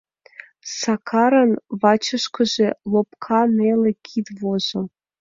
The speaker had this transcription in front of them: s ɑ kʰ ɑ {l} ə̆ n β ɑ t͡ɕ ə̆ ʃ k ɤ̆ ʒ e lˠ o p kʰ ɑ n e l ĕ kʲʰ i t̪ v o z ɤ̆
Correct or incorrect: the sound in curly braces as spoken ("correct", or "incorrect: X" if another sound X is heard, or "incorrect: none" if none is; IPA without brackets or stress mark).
incorrect: ɾ